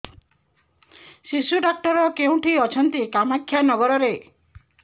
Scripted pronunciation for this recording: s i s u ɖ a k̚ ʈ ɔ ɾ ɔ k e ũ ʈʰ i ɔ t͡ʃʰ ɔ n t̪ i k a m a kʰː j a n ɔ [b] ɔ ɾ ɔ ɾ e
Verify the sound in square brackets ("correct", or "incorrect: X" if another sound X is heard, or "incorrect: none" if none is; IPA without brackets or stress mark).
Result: incorrect: ɡ